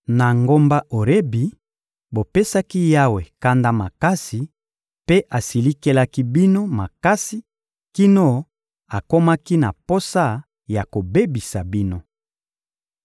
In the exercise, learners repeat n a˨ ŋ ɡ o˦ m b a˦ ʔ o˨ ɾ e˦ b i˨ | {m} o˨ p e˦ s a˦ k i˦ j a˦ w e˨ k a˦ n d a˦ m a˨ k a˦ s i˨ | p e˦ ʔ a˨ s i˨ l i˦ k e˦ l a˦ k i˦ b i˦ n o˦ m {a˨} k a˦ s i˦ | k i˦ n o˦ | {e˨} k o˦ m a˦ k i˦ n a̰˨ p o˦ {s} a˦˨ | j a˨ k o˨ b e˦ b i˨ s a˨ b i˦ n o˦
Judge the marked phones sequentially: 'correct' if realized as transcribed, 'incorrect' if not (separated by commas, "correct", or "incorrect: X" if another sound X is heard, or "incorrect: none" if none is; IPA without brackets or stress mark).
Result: incorrect: b, correct, incorrect: a˨, correct